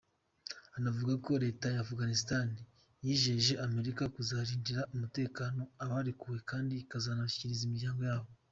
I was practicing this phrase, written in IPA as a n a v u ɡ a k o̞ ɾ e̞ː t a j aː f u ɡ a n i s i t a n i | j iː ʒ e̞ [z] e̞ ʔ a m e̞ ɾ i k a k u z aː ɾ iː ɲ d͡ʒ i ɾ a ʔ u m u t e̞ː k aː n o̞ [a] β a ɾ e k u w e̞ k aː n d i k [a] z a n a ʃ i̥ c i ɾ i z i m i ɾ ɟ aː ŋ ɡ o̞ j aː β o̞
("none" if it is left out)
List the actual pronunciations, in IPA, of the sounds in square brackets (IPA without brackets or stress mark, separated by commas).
ʒ, a, a